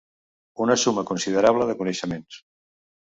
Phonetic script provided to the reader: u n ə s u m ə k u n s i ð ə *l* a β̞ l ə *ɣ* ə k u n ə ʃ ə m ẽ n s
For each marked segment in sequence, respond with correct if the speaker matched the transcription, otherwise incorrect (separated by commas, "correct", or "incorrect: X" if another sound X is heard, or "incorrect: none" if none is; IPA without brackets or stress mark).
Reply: incorrect: ɾ, incorrect: ð